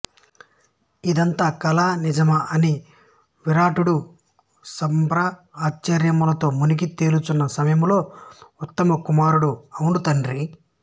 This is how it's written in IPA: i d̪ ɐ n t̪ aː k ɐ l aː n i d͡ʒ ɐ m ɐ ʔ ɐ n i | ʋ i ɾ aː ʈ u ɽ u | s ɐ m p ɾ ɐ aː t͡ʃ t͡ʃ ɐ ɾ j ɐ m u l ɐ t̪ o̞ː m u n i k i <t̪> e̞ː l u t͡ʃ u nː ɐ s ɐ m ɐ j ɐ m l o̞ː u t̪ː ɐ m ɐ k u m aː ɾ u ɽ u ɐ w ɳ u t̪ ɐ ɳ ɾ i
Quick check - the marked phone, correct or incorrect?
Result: correct